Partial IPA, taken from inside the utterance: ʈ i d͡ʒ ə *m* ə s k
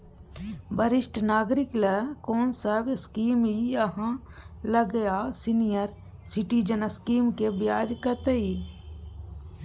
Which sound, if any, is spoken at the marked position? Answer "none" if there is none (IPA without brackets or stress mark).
n